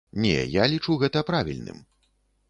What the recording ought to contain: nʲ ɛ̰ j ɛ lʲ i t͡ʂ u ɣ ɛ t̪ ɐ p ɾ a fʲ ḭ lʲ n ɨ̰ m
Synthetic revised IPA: nʲ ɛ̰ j a lʲ i t͡ʂ u ɣ ɛ t̪ ɐ p ɾ a vʲ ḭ lʲ n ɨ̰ m

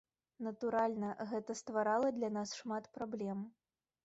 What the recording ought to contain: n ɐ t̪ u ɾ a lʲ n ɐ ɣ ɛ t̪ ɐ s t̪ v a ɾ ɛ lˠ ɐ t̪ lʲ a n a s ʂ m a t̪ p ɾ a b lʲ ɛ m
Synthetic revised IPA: n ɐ t̪ u ɾ a lʲ n ɐ ɣ ɛ t̪ ɐ s t̪ v a ɾ a lˠ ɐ d̪ lʲ a n a s ʂ m a t̪ p ɾ a b lʲ ɛ m

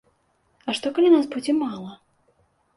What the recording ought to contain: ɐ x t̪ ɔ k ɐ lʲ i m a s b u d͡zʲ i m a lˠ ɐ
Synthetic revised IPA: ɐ ʂ t̪ ɔ k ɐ lʲ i n a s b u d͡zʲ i m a lˠ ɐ

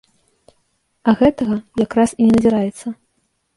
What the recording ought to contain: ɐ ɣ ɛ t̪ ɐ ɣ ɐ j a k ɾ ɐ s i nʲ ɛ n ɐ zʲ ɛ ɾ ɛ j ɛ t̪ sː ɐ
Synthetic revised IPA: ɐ ɣ ɛ t̪ ɐ ɣ ɐ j a k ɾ a s i nʲ ɛ n ɐ zʲ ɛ ɾ a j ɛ t̪ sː ɐ

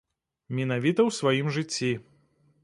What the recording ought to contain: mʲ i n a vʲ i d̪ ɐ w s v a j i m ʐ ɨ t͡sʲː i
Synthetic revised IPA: mʲ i n a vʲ i t̪ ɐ w s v a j i m ʐ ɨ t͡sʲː i

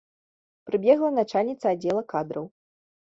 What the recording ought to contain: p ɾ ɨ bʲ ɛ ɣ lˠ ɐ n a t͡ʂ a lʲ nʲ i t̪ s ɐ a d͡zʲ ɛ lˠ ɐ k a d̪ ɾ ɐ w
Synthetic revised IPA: p ɾ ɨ bʲ ɛ ɣ lˠ ɐ n a t͡ʂ a lʲ nʲ i t̪ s ɐ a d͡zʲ ɛ lˠ ɐ k a d̪ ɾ ɐ w

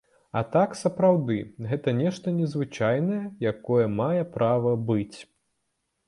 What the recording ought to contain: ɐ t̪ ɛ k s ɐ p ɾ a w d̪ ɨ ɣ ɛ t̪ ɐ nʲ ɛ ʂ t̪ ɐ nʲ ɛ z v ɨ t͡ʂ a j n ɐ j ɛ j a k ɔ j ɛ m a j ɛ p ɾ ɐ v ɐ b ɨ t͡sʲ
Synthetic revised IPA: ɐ t̪ a k s ɐ p ɾ a w d̪ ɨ ɣ ɛ t̪ ɐ nʲ ɛ ʂ t̪ ɐ nʲ ɛ z v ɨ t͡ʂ a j n ɐ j ɛ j a k ɔ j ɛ m a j ɛ p ɾ a v ɐ b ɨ t͡sʲ

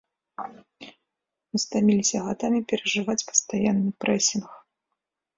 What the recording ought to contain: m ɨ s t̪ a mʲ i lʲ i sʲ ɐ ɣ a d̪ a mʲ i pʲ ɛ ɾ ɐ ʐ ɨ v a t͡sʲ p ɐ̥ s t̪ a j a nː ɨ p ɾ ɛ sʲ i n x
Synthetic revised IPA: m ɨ s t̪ a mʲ i lʲ i sʲ ɐ ɣ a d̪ a mʲ i pʲ ɛ ɾ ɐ ʐ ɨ v a t͡sʲ p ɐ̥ s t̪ a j a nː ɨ p ɾ ɛ sʲ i n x

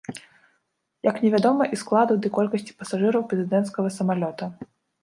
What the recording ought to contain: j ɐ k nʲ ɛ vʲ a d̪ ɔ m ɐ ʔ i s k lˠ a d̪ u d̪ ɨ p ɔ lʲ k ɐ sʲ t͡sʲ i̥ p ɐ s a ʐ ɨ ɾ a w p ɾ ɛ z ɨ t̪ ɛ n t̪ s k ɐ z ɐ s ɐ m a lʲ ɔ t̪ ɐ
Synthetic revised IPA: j ɐ k nʲ ɛ vʲ a d̪ ɔ m ɐ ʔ i s k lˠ a d̪ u d̪ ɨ k ɔ lʲ k ɐ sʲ t͡sʲ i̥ p ɐ s a ʐ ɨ ɾ ɐ w p ɾ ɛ z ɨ d̪ ɛ n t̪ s k ɐ ɣ ɐ s ɐ m a lʲ ɔ t̪ ɐ

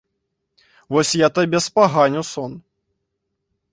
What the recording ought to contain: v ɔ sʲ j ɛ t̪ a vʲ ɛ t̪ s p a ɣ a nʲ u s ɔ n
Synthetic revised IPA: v ɔ sʲ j a t̪ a bʲ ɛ s p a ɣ a nʲ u s ɔ n

